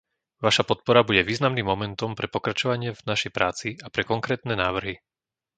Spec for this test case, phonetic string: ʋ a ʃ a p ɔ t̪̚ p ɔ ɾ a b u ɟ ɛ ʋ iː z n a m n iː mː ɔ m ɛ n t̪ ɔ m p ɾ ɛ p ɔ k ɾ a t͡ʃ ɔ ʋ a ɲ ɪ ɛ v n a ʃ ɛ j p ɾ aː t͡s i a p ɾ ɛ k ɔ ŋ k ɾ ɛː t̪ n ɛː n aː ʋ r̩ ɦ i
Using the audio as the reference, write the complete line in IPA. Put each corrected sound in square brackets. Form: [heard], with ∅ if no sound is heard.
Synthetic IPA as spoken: ʋ a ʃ a p ɔ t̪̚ p ɔ ɾ a b u ɟ ɛ ʋ iː z n a m n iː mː ɔ m ɛ n t̪ ɔ m p ɾ ɛ p ɔ k ɾ a t͡ʃ ɔ ʋ a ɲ ɪ ɛ v n a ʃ ɛ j p ɾ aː t͡s i a p ɾ ɛ k ɔ ŋ k ɾ ɛː t̪ n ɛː n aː ʋ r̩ ɦ i